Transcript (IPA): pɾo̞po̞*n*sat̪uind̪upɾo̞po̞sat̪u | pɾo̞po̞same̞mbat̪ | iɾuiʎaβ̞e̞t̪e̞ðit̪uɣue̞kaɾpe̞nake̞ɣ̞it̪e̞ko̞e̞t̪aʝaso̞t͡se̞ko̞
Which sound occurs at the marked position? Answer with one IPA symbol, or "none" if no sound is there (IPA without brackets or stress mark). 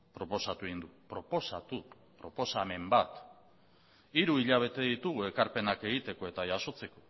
none